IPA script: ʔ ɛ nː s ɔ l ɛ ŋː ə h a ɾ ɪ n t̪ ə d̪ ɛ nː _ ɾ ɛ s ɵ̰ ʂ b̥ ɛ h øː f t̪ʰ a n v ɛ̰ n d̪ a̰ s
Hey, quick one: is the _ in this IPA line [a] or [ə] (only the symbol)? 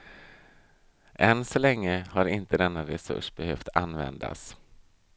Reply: a